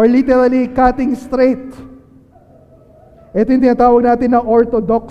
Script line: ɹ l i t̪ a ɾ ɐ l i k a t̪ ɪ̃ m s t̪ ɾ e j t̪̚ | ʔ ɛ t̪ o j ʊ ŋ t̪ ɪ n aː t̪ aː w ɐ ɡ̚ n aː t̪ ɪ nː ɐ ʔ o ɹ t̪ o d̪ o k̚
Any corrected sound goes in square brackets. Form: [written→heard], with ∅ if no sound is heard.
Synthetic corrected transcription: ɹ l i t̪ [a→ɛ] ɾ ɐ l i k a t̪ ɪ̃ [m→ŋ] s t̪ ɾ e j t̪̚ | ʔ ɛ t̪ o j ʊ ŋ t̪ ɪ n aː t̪ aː w ɐ ɡ̚ n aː t̪ ɪ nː ɐ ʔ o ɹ t̪ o d̪ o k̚